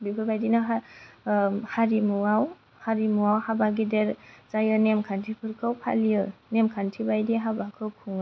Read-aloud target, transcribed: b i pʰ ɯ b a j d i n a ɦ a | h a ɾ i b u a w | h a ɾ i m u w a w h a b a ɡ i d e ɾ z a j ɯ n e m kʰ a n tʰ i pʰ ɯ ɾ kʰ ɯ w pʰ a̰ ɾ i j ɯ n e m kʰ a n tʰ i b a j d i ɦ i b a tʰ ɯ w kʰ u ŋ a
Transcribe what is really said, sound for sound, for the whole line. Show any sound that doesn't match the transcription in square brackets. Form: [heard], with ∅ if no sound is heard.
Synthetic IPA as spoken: b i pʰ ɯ b a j d i n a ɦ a | h a ɾ i [m] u a w | h a ɾ i m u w a w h a b a ɡ i d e ɾ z a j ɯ n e m kʰ a n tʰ i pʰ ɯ ɾ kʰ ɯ w pʰ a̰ [l] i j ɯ n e m kʰ a n tʰ i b a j d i ɦ [a] b a [kʰ] ɯ w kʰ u ŋ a